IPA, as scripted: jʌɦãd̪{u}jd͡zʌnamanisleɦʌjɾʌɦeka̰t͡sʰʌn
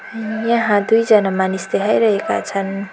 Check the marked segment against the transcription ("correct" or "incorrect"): correct